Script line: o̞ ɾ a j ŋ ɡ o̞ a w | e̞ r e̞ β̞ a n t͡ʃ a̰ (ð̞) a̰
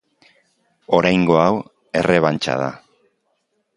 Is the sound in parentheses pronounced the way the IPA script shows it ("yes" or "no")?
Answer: yes